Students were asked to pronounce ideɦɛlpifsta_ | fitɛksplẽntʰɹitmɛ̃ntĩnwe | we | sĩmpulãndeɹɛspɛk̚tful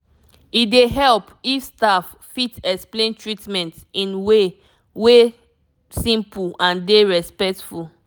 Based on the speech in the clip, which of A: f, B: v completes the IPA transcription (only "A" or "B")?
A